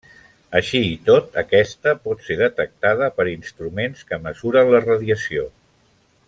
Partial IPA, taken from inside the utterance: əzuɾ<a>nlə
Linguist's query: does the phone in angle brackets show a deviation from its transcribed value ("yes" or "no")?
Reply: yes